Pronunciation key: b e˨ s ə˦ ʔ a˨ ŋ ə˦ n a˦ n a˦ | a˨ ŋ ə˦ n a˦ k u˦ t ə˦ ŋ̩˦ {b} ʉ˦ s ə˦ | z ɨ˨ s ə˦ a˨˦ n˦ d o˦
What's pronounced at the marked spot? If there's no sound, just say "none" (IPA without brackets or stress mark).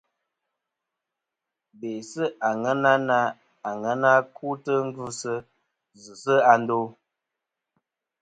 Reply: ɡ